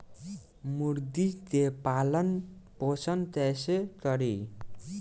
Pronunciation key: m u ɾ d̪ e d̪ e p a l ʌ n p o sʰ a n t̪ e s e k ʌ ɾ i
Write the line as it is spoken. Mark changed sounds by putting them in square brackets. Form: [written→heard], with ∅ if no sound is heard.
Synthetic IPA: m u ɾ d̪ [e→i] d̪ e p a l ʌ n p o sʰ [a→ʌ] n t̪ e s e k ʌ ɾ i